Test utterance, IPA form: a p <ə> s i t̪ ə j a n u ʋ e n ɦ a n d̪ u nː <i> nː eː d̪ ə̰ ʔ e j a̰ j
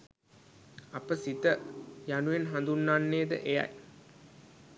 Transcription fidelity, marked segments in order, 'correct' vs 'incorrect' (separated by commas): correct, incorrect